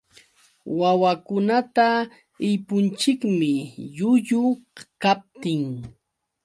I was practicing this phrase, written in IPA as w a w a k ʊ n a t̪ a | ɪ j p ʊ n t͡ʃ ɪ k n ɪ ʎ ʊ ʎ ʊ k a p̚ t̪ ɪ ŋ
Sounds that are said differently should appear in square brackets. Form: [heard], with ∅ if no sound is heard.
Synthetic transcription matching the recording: w a w a k ʊ n a t̪ a | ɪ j p ʊ n t͡ʃ ɪ k [m] ɪ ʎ ʊ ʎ ʊ k a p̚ t̪ ɪ ŋ